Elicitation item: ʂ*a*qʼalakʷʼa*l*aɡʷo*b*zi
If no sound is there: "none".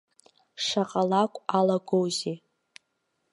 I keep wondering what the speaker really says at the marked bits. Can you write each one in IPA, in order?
a, l, w

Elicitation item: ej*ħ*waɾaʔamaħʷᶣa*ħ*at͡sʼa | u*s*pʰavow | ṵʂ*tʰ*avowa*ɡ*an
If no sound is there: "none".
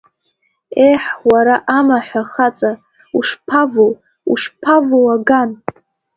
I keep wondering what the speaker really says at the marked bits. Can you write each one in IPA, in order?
ħ, χ, ʂ, pʰ, ɡ

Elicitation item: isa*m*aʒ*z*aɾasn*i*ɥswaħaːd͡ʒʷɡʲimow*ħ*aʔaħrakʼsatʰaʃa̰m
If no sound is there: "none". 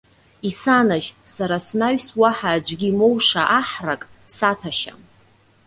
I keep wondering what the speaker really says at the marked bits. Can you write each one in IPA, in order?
n, s, a, ʂ

